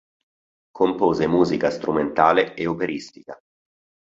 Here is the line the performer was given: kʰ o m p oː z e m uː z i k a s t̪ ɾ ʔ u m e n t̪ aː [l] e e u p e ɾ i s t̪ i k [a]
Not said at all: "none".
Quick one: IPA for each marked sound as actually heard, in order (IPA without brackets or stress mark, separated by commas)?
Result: l, a